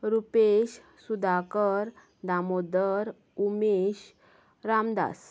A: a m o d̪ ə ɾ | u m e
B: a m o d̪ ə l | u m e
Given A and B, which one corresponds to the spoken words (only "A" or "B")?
A